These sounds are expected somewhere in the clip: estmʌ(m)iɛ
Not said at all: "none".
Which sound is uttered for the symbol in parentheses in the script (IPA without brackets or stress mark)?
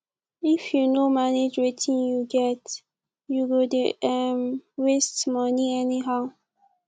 n